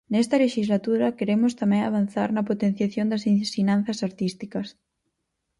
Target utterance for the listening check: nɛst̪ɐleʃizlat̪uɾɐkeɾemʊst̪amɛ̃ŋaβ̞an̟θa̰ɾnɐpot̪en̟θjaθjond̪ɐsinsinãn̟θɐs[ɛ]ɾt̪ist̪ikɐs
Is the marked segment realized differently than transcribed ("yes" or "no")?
yes